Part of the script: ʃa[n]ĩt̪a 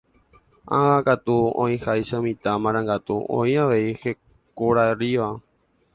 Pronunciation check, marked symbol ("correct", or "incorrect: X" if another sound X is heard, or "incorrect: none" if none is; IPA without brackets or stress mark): incorrect: m